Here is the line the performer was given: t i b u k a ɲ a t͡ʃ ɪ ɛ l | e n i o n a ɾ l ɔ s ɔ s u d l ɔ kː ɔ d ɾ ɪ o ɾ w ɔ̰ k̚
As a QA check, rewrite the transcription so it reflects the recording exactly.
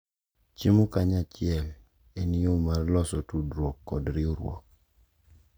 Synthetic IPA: t͡ʃ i m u k a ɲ a t͡ʃ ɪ ɛ l | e n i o m a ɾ l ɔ s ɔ t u d ɾ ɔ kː ɔ d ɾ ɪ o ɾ w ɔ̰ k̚